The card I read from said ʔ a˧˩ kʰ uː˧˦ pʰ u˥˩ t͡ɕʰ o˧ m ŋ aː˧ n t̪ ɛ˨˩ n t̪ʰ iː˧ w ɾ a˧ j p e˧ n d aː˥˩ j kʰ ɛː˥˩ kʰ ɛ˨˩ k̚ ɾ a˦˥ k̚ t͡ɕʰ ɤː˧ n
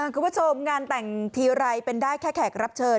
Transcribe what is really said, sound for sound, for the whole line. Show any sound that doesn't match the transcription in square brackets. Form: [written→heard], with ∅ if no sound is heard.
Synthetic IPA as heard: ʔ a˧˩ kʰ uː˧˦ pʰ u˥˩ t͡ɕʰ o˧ m ŋ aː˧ n t̪ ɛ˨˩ [n→ŋ] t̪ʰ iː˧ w ɾ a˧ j p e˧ n d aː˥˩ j kʰ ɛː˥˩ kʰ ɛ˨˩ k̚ ɾ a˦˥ [k̚→p̚] t͡ɕʰ ɤː˧ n